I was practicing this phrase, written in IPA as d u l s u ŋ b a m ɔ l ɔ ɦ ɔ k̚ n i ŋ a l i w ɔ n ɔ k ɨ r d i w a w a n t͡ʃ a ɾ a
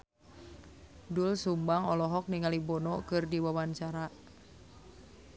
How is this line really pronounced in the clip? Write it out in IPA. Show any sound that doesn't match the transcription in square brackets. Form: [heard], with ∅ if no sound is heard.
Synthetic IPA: d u l s u [m] b a [ŋ] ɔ l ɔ ɦ ɔ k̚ n i ŋ a l i [b] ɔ n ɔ k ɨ r d i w a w a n t͡ʃ a ɾ a